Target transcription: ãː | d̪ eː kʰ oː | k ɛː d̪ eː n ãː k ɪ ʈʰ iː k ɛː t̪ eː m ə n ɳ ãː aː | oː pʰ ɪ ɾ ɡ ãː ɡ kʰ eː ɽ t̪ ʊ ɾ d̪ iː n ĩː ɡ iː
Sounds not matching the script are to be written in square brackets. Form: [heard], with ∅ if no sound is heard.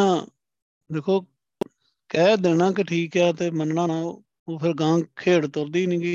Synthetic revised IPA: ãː | d̪ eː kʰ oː | k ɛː d̪ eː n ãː k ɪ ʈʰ iː k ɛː t̪ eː m ə n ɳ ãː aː | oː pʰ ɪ ɾ ɡ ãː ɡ kʰ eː ɽ t̪ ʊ ɾ d̪ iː n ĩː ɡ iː